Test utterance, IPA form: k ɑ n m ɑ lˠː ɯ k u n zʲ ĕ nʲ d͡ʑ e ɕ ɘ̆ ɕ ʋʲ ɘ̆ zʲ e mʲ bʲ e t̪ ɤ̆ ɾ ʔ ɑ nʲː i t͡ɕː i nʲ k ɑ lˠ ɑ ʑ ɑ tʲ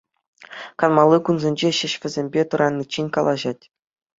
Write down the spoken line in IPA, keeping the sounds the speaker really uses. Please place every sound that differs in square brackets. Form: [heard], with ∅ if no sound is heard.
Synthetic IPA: k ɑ n m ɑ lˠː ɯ k u n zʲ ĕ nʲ d͡ʑ e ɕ ɘ̆ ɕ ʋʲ ɘ̆ zʲ e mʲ bʲ e t̪ ɤ̆ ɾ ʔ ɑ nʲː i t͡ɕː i nʲ k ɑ lˠ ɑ ʑ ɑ tʲ